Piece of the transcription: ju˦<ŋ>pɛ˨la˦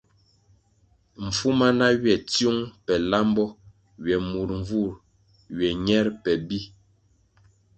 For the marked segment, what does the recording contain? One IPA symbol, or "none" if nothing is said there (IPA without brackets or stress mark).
ŋ